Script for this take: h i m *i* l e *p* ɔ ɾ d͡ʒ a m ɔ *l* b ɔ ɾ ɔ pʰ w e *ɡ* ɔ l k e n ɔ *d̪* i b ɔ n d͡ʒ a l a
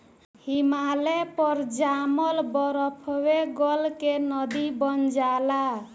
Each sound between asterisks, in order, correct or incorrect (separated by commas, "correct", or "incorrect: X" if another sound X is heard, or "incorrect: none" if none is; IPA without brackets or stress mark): incorrect: a, correct, correct, correct, correct